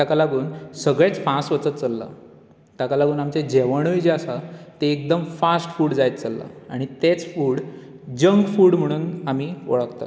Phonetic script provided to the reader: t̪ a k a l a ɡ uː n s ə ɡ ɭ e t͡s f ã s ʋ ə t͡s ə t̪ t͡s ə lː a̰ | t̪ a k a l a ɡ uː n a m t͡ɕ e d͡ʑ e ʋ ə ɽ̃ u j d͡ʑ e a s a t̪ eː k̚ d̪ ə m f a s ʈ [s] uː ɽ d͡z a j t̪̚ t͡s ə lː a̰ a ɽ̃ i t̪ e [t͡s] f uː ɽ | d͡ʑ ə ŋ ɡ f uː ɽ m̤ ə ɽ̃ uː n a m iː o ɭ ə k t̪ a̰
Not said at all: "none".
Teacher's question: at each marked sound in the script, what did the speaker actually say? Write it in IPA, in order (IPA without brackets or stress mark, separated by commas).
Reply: f, t͡s